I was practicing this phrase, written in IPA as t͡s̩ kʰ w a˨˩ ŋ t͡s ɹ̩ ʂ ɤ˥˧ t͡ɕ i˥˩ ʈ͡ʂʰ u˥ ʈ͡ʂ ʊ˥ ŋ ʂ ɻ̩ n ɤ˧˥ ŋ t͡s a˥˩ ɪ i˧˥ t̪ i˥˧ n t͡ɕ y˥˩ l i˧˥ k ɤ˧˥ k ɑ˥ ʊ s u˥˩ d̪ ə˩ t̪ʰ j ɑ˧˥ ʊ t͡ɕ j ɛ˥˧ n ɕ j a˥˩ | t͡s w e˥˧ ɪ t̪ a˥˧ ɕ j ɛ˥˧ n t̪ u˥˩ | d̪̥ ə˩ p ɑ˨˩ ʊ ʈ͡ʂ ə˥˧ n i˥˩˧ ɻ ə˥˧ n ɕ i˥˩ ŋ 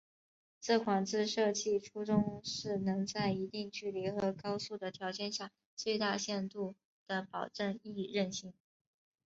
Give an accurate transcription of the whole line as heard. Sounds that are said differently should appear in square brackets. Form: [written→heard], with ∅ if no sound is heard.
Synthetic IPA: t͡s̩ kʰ w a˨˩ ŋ t͡s ɹ̩ ʂ ɤ˥˧ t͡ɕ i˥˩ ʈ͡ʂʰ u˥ ʈ͡ʂ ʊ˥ ŋ ʂ ɻ̩ n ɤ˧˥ ŋ t͡s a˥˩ ɪ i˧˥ t̪ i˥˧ [n→ŋ] t͡ɕ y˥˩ l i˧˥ [k→x] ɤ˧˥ k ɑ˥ ʊ s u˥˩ d̪ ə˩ t̪ʰ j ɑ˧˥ ʊ t͡ɕ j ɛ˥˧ n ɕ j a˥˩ | t͡s w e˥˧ ɪ t̪ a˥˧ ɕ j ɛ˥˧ n t̪ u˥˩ | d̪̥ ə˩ p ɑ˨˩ ʊ ʈ͡ʂ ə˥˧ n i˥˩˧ ɻ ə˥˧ n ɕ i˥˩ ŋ